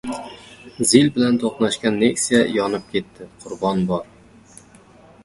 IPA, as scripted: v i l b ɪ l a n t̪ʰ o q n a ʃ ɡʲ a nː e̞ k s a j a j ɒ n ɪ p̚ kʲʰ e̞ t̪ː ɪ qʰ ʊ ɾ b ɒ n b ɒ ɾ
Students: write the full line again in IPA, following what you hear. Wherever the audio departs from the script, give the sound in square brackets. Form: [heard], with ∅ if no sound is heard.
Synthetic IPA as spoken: [z] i l b ɪ l a n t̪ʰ o q n a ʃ [kʲ] a nː e̞ k s [i] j a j ɒ n ɪ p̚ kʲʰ e̞ t̪ː ɪ qʰ ʊ ɾ b ɒ n b ɒ ɾ